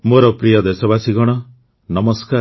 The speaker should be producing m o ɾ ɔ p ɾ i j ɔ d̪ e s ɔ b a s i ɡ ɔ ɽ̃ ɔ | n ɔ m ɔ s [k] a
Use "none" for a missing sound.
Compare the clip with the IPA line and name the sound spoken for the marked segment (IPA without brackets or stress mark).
k